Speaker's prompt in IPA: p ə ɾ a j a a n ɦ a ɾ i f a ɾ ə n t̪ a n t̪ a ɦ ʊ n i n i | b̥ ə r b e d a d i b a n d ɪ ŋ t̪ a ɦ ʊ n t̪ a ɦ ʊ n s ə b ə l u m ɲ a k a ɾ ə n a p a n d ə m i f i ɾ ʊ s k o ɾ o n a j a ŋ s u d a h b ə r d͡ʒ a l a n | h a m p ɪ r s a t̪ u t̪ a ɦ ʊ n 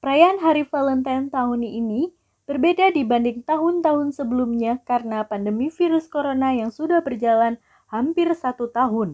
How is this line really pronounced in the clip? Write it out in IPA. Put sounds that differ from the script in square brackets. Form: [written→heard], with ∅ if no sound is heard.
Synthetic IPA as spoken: p ə ɾ a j a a n ɦ a ɾ i f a [ɾ→l] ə n t̪ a n t̪ a ɦ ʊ n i n i | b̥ ə r b e d a d i b a n d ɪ ŋ t̪ a ɦ ʊ n t̪ a ɦ ʊ n s ə b ə l u m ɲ a k a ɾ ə n a p a n d ə m i f i ɾ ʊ s k o ɾ o n a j a ŋ s u d a h b ə r d͡ʒ a l a n | h a m p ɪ r s a t̪ u t̪ a ɦ ʊ n